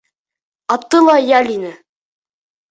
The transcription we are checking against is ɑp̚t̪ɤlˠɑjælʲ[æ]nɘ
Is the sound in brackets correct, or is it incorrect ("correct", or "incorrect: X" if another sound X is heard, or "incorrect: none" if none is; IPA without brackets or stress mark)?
incorrect: i